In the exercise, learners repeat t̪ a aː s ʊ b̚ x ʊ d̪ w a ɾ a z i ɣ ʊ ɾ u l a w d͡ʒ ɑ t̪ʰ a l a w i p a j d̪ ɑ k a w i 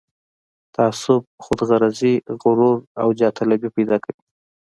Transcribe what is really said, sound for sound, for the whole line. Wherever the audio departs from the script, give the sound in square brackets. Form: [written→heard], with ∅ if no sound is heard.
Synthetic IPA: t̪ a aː s ʊ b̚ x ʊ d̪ [w→ɣ] a ɾ a z i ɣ ʊ ɾ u [l→ɾ] a w d͡ʒ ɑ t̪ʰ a l a [w→b] i p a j d̪ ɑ k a w i